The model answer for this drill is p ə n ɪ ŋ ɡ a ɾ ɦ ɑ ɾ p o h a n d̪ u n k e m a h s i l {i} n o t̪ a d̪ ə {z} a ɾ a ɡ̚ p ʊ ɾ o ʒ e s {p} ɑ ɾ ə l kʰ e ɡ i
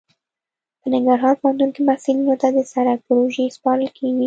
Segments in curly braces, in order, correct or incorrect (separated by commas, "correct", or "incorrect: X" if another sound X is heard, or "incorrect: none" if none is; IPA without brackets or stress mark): correct, incorrect: s, correct